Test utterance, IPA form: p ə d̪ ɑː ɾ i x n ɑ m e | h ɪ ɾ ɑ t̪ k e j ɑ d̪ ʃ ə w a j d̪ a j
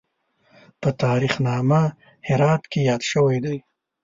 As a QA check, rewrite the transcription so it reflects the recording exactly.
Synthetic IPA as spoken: p ə t̪ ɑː ɾ i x n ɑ m a | h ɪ ɾ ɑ t̪ k e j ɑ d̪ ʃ ə w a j d̪ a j